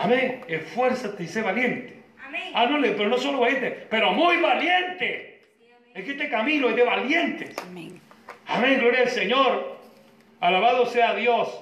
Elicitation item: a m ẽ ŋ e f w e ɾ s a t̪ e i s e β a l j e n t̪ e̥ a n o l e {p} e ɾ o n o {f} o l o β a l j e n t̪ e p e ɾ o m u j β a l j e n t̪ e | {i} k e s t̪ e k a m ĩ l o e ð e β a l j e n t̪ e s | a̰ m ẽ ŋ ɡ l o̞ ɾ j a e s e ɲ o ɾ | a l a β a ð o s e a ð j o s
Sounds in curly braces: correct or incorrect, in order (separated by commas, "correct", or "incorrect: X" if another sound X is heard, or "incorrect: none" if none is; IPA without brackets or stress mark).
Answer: correct, incorrect: s, incorrect: e